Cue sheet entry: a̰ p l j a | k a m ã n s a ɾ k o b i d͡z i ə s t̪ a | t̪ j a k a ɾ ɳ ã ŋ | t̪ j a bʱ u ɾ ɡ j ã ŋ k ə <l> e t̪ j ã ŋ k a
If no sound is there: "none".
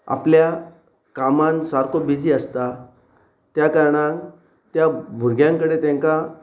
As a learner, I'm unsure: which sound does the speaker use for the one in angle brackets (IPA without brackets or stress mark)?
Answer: ɽ